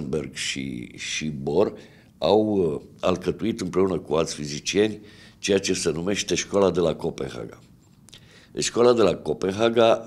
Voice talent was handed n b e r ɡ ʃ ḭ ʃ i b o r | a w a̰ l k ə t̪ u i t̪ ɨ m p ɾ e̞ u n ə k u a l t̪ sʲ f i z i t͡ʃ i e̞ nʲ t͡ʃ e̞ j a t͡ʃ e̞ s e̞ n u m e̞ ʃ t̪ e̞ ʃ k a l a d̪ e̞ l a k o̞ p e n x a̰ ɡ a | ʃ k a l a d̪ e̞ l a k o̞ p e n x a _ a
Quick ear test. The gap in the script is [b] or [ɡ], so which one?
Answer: ɡ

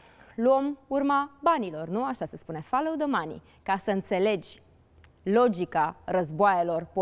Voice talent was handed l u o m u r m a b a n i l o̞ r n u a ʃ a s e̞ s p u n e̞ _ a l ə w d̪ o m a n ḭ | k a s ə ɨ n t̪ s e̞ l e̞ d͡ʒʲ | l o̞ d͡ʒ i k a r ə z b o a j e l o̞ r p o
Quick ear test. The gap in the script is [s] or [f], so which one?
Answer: f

